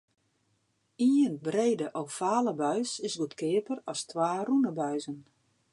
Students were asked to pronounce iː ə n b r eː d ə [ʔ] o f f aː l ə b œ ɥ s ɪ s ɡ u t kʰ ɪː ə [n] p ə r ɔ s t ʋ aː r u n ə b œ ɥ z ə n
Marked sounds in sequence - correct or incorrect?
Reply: correct, incorrect

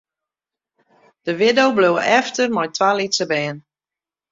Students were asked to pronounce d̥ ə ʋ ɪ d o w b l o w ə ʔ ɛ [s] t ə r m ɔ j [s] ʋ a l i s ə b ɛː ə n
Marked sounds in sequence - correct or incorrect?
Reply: incorrect, incorrect

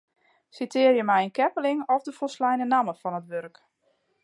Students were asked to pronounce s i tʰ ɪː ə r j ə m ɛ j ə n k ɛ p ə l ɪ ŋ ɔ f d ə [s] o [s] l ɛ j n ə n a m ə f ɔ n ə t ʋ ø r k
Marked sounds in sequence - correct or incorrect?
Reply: incorrect, correct

